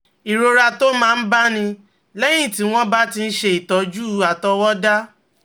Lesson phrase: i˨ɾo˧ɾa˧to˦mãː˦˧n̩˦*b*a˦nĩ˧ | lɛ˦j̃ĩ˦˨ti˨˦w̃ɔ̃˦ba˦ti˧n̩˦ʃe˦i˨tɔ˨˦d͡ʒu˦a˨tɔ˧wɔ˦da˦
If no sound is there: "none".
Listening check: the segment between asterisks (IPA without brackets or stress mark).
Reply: b